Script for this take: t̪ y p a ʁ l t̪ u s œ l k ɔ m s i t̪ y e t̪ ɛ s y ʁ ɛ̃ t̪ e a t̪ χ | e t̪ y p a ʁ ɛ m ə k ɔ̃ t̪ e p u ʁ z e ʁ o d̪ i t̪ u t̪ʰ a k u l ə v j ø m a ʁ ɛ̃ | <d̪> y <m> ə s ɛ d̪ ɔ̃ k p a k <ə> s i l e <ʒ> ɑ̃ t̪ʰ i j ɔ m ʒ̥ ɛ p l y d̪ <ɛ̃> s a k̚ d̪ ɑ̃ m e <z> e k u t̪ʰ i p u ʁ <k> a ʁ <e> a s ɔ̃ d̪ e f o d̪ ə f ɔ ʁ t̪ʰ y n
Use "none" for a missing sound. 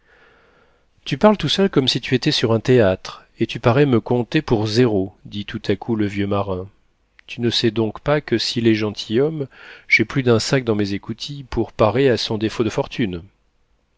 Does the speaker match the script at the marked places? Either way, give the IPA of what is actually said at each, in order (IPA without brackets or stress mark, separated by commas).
t̪, n, ə, ʒ, ɛ̃, z, p, e